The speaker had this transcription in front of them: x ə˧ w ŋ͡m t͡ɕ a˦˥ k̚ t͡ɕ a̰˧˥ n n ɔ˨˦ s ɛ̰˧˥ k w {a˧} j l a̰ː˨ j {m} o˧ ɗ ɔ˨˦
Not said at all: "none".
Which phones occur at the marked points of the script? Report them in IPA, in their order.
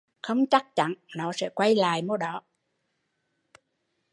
a˧, m

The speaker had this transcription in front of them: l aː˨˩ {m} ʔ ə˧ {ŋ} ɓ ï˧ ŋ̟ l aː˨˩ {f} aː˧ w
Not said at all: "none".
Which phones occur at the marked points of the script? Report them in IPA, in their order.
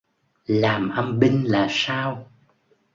m, m, s

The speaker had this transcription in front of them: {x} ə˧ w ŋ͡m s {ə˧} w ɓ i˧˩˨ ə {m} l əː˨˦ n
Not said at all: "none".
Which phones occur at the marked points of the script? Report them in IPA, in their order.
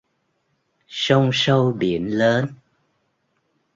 s, ə˧, n

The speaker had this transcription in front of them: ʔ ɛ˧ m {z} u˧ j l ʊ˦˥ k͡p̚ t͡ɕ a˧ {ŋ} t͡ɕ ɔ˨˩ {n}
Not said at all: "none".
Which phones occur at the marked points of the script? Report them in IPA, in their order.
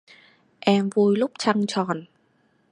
v, ŋ, n

